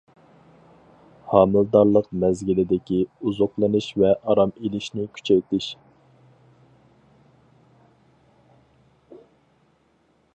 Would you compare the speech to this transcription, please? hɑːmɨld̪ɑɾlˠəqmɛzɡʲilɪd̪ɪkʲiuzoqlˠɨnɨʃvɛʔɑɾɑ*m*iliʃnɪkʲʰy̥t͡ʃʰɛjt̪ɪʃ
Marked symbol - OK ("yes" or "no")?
yes